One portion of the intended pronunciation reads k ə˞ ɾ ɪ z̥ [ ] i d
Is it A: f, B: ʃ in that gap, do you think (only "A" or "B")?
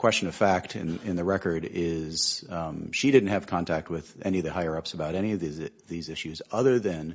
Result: B